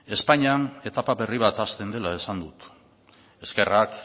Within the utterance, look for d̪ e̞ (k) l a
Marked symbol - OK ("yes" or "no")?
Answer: no